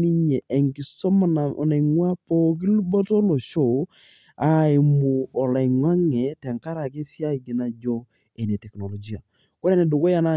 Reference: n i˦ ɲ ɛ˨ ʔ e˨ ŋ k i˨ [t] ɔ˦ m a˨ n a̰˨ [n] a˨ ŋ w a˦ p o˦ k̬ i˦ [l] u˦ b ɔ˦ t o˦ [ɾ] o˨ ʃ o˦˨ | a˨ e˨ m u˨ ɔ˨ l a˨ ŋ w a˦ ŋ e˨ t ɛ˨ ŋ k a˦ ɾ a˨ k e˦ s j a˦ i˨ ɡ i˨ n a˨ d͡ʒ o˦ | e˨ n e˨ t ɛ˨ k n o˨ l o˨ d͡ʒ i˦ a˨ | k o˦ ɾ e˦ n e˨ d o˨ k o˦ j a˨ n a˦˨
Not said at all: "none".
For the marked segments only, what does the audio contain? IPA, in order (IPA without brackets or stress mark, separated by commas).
s, n, l, l